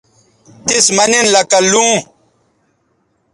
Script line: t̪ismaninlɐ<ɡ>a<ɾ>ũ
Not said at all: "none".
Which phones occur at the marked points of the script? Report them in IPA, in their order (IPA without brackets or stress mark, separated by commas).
k, l